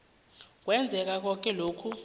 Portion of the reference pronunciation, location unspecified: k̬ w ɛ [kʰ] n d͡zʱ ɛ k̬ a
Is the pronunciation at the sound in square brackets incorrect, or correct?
incorrect